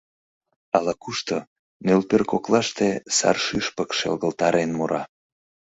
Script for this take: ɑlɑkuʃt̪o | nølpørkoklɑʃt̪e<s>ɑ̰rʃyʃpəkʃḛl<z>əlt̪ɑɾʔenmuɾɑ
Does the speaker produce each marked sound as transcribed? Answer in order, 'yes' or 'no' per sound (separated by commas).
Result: yes, no